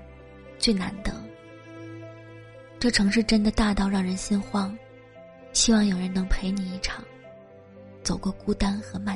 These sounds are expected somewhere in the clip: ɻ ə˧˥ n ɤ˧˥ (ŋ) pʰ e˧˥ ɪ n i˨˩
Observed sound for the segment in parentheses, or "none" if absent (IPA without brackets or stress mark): ŋ